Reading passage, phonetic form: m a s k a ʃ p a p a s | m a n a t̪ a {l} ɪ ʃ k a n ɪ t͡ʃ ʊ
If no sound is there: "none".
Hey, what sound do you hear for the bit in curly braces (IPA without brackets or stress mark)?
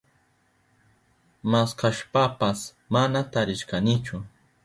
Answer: ɾ